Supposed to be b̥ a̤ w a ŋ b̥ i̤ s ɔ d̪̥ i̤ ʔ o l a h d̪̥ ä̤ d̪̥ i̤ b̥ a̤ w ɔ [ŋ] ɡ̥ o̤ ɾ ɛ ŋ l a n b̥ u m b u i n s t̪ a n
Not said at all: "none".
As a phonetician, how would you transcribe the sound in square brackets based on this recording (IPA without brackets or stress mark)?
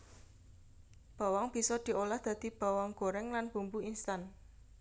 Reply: ŋ